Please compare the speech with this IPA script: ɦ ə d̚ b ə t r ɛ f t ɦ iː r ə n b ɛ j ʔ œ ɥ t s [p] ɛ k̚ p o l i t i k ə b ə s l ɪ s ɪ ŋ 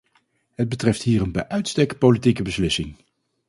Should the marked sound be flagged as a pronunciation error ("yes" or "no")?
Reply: yes